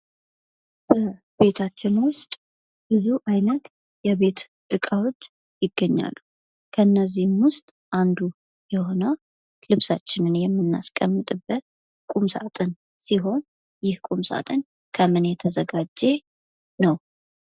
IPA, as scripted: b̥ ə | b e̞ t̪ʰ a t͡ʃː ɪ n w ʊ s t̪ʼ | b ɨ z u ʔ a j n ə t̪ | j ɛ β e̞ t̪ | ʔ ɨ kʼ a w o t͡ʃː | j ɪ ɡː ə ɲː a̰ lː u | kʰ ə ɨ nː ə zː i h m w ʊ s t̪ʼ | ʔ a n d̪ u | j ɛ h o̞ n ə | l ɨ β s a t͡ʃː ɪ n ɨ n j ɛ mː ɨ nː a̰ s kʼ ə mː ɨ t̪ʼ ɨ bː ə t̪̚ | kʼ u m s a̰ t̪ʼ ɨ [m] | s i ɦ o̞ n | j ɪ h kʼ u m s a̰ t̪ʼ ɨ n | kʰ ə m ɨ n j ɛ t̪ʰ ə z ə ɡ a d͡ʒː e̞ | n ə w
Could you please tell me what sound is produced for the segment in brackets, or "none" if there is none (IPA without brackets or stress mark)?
n